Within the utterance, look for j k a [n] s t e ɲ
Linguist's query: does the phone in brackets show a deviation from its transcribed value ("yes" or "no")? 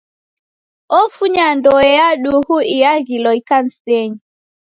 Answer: no